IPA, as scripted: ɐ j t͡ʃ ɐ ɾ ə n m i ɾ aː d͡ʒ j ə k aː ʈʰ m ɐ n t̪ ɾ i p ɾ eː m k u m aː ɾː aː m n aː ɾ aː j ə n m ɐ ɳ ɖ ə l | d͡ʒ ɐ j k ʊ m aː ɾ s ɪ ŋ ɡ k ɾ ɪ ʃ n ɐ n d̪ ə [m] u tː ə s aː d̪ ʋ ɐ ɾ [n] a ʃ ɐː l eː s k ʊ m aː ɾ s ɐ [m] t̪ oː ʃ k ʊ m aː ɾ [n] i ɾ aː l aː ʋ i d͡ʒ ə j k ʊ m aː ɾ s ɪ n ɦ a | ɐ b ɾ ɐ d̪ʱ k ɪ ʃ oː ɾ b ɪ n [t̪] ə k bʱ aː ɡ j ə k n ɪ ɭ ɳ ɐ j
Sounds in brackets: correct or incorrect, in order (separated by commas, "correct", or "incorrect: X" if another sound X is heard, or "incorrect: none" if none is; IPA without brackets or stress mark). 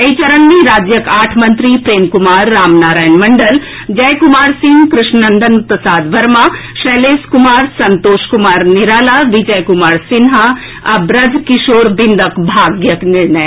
incorrect: n, incorrect: m, incorrect: n, correct, incorrect: d̪